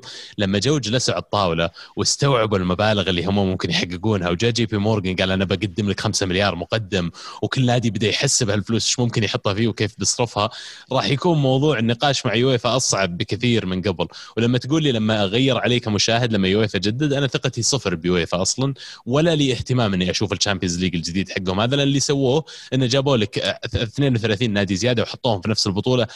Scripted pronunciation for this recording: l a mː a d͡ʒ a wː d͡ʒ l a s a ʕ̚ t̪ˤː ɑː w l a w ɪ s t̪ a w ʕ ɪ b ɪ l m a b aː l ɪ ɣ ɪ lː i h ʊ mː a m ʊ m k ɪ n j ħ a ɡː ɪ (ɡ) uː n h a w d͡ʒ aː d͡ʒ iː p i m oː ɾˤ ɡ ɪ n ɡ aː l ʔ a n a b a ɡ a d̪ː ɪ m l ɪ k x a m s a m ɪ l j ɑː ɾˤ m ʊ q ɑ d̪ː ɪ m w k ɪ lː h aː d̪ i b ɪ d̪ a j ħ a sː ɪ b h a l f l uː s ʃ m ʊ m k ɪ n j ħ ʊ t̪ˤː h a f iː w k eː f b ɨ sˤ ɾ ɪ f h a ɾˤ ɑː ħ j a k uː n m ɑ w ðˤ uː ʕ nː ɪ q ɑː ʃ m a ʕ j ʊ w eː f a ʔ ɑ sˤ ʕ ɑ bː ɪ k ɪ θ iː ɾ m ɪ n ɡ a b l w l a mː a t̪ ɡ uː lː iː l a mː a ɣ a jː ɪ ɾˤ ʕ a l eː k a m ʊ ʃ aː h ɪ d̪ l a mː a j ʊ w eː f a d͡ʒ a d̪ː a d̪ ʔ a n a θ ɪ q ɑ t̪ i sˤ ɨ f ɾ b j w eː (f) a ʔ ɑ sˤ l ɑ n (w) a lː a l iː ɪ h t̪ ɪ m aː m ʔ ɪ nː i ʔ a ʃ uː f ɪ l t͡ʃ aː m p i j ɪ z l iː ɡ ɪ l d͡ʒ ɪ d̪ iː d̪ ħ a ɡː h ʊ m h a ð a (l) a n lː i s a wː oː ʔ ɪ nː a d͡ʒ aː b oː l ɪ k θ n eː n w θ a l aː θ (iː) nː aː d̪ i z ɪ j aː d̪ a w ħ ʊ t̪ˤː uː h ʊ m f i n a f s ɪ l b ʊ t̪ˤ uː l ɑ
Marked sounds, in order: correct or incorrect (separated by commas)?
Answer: correct, correct, correct, correct, correct